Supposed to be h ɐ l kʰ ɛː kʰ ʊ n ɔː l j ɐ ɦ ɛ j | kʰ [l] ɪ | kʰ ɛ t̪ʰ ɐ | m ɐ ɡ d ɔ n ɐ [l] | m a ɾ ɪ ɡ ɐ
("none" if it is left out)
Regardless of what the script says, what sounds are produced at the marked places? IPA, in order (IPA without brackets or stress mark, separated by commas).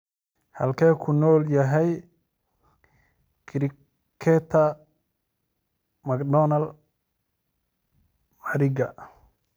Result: ɾ, l